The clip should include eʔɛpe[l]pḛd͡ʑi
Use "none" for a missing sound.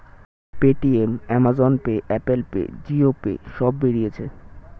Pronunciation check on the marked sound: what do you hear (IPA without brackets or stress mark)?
l